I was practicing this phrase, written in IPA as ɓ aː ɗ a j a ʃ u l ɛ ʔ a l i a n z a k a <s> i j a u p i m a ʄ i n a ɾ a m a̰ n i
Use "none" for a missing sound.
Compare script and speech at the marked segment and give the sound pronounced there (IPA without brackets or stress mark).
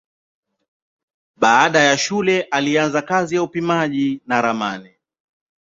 z